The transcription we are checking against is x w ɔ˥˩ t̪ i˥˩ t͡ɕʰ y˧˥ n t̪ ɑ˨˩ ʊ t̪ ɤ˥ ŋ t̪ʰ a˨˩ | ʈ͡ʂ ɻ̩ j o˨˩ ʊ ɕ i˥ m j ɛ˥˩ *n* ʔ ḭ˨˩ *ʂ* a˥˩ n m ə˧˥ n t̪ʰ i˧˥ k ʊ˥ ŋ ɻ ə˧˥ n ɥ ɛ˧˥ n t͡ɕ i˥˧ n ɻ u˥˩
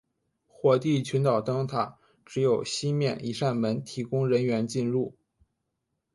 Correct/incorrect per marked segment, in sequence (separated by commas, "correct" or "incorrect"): correct, correct